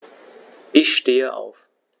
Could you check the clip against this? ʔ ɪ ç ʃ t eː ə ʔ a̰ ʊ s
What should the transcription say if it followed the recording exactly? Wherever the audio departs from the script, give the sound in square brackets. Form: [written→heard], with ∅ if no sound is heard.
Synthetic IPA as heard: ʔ ɪ ç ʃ t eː ə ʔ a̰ ʊ [s→f]

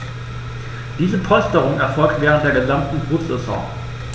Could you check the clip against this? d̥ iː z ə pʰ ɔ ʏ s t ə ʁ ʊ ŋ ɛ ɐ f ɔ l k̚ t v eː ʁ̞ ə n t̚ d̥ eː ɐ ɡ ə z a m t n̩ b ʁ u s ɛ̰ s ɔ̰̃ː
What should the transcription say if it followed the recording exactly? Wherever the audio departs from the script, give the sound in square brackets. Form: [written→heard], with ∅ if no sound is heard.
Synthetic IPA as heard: d̥ iː z ə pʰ ɔ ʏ s t ə ʁ ʊ ŋ ɛ ɐ f ɔ l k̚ t v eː ʁ̞ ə n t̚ d̥ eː ɐ ɡ ə z a m t n̩ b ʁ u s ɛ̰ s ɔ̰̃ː

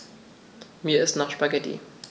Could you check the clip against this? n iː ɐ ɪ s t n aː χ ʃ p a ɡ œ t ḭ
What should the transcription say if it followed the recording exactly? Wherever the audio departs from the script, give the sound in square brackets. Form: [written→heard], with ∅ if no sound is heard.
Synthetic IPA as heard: [n→m] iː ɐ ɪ s t n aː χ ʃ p a ɡ [œ→ɛ] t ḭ

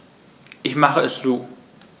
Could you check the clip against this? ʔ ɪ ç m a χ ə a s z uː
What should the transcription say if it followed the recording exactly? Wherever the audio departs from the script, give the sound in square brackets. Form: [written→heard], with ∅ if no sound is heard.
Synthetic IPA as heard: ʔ ɪ ç m a χ ə [a→ɛ] s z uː

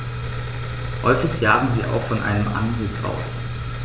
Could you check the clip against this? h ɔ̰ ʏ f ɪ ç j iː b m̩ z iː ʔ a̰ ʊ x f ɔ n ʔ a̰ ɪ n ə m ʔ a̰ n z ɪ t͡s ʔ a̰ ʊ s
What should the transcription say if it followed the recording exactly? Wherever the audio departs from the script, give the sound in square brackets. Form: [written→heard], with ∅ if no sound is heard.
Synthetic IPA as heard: h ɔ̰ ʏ f ɪ ç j [iː→aː] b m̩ z iː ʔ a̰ ʊ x f ɔ n ʔ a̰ ɪ n ə m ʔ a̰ n z ɪ t͡s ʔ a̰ ʊ s

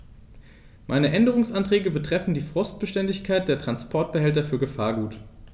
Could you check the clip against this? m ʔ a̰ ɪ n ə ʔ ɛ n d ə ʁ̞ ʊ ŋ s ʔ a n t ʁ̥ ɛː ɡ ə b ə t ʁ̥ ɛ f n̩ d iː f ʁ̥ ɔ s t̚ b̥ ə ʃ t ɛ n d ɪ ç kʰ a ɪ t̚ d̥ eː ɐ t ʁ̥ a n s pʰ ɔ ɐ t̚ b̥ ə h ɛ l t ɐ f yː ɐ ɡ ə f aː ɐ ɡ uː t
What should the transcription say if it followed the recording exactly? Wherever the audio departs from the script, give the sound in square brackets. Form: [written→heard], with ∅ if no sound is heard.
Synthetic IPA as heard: m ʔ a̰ ɪ n ə ʔ ɛ n d ə ʁ̞ ʊ ŋ s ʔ a n t ʁ̥ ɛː ɡ ə b ə t ʁ̥ ɛ f n̩ d iː f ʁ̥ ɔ s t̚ b̥ ə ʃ t ɛ n d ɪ ç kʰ a ɪ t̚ d̥ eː ɐ t ʁ̥ a n s pʰ ɔ ɐ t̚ b̥ ə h ɛ l t ɐ f yː ɐ ɡ ə f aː ɐ ɡ uː t

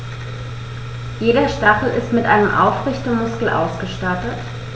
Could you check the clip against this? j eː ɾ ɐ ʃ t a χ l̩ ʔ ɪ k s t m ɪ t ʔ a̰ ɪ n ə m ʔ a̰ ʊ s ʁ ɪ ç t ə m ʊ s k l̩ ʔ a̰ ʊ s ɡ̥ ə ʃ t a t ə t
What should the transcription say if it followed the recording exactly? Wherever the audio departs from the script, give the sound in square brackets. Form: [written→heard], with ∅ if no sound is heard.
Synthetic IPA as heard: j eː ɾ ɐ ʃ t a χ l̩ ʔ ɪ [k→∅] s t m ɪ t ʔ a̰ ɪ n ə m ʔ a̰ ʊ [s→f] ʁ ɪ ç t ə m ʊ s k l̩ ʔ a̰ ʊ s ɡ̥ ə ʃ t a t ə t

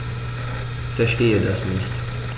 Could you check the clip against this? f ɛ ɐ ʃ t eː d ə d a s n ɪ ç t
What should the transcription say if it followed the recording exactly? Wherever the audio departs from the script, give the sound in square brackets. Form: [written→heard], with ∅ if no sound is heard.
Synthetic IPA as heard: f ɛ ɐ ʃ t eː [d→∅] ə d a s n ɪ ç t

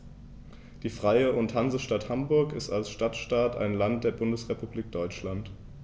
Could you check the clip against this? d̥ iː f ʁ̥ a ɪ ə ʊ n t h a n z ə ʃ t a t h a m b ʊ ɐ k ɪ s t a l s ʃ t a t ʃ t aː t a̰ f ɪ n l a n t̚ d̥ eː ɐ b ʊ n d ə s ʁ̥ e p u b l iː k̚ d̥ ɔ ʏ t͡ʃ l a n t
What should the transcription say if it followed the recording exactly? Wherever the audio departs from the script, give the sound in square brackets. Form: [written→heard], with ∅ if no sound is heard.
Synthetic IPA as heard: d̥ iː f ʁ̥ a ɪ ə ʊ n t h a n z ə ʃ t a t h a m b ʊ ɐ k ɪ s t a l s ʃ t a t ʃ t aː t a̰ [f→∅] ɪ n l a n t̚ d̥ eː ɐ b ʊ n d ə s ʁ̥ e p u b l iː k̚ d̥ ɔ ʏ t͡ʃ l a n t

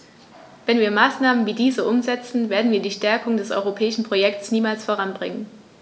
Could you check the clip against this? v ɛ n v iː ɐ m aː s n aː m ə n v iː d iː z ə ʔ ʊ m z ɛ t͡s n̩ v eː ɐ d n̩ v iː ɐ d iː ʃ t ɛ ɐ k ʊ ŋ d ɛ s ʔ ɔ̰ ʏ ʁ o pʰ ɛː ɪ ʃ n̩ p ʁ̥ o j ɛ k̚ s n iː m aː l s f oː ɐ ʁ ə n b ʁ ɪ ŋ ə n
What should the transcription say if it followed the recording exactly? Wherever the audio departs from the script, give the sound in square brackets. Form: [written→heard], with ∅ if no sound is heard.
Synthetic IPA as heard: v ɛ n v iː ɐ m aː s n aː m ə n v iː d iː z ə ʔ ʊ m z ɛ t͡s n̩ v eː ɐ d n̩ v iː ɐ d iː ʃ t ɛ ɐ k ʊ ŋ d ɛ s ʔ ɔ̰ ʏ ʁ o pʰ ɛː ɪ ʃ n̩ p ʁ̥ o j ɛ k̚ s n iː m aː l s f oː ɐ ʁ [ə→a] n b ʁ ɪ ŋ ə n

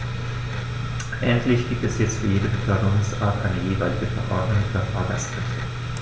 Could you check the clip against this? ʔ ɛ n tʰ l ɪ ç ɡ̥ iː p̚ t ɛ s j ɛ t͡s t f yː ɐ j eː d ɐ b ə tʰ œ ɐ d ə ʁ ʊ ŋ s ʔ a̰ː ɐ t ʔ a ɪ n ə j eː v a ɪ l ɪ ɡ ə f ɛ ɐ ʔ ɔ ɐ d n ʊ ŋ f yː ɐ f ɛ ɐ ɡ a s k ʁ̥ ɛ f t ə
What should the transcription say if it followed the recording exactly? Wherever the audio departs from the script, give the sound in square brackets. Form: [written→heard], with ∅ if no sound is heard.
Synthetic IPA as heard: ʔ ɛ n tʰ l ɪ ç ɡ̥ iː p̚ t ɛ s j ɛ t͡s t f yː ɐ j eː d [ɐ→ə] b ə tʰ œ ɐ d ə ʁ ʊ ŋ s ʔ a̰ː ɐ t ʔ a ɪ n ə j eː v a ɪ l ɪ ɡ ə f ɛ ɐ ʔ ɔ ɐ d n ʊ ŋ f yː ɐ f [ɛ→a] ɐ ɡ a s k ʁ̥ ɛ f t ə

